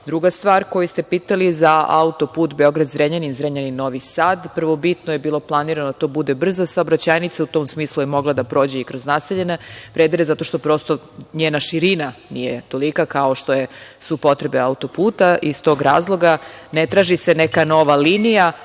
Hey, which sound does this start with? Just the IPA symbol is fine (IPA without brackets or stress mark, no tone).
d̪